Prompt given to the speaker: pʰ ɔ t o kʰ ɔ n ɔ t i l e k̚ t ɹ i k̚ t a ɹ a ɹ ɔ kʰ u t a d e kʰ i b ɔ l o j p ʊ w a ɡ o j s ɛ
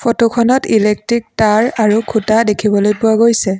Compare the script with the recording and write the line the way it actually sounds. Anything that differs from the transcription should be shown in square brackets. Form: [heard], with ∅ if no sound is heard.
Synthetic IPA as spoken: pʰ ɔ t o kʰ ɔ n ɔ t i l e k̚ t ɹ i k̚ t a ɹ a ɹ [u] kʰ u t a d e kʰ i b ɔ l o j p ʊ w a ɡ o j s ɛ

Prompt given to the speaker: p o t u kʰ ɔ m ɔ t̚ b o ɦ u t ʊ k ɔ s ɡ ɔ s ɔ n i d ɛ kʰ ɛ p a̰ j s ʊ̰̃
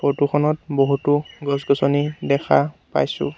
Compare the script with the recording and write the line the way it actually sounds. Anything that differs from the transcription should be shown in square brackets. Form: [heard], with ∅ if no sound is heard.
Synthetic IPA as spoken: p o t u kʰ ɔ [n] ɔ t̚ b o ɦ u t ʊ [ɡ] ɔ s ɡ ɔ s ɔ n i d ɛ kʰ [a] p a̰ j s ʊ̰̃

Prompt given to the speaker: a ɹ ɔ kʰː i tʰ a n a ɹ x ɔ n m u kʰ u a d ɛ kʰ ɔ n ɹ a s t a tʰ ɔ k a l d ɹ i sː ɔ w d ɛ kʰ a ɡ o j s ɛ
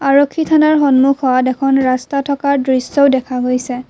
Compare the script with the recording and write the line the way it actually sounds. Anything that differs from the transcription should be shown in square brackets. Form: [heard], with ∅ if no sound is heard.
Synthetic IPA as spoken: a ɹ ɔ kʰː i tʰ a n a ɹ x ɔ n m u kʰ [ɔ] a d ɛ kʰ ɔ n ɹ a s t a tʰ ɔ k a [ɹ] d ɹ i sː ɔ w d ɛ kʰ a ɡ o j s ɛ

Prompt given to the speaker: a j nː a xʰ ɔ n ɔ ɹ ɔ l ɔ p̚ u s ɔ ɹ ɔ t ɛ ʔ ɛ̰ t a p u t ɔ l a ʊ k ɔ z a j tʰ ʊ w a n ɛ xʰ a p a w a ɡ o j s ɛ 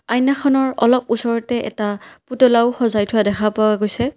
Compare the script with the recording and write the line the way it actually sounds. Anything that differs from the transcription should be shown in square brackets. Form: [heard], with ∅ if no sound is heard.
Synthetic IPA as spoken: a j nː a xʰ ɔ n ɔ ɹ ɔ l ɔ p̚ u s ɔ ɹ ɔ t ɛ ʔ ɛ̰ t a p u t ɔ l a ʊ [x] ɔ z a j tʰ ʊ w a [d] ɛ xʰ a p a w a ɡ o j s ɛ

